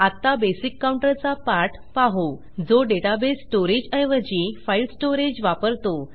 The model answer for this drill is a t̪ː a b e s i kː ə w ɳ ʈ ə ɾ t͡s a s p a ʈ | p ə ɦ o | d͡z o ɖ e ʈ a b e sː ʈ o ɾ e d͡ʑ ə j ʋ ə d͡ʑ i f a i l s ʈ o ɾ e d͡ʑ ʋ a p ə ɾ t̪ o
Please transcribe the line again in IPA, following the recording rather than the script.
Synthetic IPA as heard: a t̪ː a b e s i kː a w ɳ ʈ ə ɾ t͡s a p a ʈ | p a ɦ o | d͡z o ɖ e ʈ a b e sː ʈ o ɾ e d͡ʑ ə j ʋ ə d͡ʑ i f a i l s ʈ o ɾ e d͡ʑ ʋ a p ə ɾ t̪ o